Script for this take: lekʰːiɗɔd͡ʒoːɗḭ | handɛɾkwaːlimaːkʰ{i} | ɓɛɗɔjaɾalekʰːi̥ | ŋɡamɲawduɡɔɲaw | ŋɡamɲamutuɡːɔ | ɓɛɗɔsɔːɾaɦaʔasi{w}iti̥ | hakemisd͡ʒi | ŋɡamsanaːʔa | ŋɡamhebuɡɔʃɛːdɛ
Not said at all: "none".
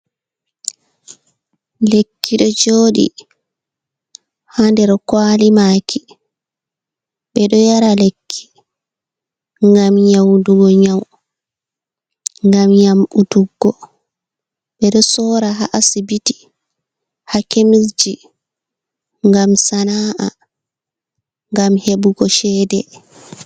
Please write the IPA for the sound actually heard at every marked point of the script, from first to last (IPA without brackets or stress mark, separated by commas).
i, b